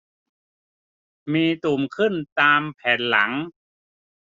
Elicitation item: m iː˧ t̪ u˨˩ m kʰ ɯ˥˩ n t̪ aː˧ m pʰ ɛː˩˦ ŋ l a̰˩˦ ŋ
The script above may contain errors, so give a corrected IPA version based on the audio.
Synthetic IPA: m iː˧ t̪ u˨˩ m kʰ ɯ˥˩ n t̪ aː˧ m pʰ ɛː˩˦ n l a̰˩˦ ŋ